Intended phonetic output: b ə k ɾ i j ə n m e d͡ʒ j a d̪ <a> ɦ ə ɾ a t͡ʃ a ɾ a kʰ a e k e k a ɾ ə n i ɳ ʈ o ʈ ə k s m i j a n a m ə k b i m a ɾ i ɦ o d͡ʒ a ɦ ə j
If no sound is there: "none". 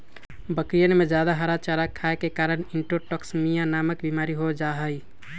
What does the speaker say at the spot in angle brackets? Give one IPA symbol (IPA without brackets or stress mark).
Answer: a